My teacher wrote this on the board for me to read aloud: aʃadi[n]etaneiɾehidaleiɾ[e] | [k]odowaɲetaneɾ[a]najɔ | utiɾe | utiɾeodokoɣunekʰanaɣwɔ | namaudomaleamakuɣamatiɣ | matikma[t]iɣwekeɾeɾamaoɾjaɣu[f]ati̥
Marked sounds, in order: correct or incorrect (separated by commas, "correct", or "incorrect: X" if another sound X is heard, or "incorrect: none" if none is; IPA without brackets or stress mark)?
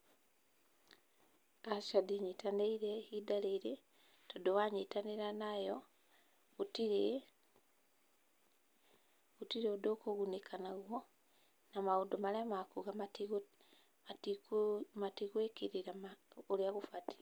incorrect: ɲ, correct, incorrect: t, correct, correct, correct